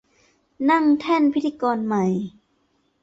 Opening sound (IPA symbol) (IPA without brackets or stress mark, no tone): n